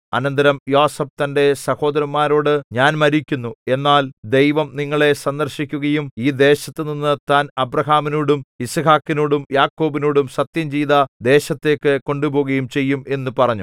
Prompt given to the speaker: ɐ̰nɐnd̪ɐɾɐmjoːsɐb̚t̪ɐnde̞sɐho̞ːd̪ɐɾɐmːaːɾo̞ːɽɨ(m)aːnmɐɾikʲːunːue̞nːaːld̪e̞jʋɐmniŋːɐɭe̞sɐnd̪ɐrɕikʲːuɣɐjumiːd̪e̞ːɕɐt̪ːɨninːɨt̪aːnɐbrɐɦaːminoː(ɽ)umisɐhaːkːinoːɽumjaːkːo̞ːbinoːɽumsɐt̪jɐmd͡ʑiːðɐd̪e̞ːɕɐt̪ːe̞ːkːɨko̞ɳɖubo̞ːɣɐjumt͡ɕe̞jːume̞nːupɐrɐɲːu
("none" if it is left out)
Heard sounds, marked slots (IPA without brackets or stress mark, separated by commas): ɲ, ɽ